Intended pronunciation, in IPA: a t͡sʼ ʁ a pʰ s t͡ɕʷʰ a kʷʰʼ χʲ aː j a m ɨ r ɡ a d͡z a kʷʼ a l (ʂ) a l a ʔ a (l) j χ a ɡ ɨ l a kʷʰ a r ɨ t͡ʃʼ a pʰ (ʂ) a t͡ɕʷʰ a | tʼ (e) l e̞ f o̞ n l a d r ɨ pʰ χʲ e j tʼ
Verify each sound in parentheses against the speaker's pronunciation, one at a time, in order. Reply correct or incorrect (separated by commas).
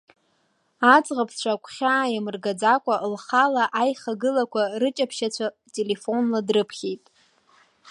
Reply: incorrect, incorrect, incorrect, correct